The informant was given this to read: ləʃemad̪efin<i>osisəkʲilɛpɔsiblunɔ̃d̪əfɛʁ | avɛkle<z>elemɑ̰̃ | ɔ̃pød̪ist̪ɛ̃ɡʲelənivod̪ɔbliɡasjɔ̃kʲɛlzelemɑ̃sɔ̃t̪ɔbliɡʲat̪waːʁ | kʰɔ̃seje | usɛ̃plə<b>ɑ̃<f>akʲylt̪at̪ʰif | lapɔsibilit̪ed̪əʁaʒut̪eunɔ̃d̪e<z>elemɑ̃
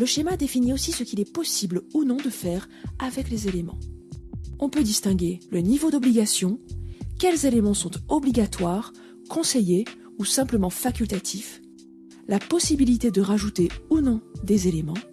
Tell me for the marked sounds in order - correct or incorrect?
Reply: correct, correct, incorrect, correct, correct

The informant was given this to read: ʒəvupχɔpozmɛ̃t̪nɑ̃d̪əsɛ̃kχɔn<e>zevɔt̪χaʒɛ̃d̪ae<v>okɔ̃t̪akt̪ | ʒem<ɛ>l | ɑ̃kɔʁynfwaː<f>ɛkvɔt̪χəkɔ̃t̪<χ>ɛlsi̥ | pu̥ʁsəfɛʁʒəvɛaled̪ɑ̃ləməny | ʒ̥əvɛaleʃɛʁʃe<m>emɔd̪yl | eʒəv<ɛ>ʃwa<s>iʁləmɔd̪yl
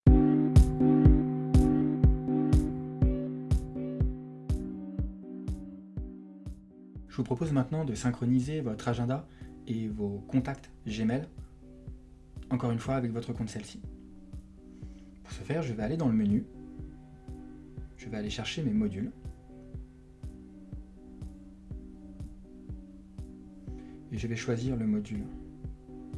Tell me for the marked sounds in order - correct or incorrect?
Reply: incorrect, correct, correct, incorrect, incorrect, correct, correct, incorrect

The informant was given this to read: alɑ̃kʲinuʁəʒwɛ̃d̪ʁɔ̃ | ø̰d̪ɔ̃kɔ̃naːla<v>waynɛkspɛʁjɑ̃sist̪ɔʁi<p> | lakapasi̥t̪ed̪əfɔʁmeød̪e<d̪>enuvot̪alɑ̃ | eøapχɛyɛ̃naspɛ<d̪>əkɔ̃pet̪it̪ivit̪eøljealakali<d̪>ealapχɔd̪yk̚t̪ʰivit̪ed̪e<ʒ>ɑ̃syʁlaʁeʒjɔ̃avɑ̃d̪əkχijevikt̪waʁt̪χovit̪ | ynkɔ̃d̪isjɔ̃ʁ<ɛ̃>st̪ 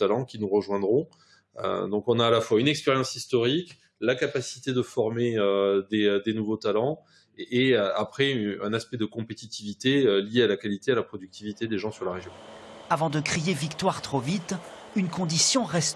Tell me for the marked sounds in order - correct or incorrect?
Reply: incorrect, incorrect, correct, correct, incorrect, correct, incorrect

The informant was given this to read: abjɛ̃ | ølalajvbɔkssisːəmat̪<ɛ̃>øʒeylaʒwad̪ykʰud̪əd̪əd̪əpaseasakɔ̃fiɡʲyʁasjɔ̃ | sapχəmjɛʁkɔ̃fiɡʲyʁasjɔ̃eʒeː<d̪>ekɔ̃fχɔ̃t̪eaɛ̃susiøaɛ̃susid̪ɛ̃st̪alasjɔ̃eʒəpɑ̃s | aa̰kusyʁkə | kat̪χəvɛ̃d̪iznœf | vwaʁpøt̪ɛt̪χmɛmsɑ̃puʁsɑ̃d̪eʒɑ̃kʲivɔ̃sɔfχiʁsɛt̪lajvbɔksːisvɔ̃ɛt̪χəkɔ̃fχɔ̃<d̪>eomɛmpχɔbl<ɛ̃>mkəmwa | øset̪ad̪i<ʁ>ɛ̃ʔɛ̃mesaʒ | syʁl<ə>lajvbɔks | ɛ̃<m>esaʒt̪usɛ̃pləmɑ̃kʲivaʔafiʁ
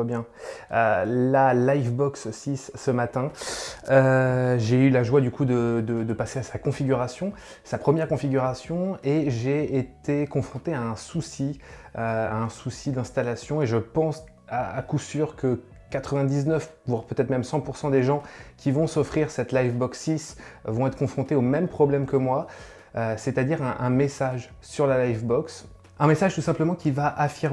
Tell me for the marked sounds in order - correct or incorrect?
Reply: correct, incorrect, incorrect, incorrect, correct, incorrect, correct

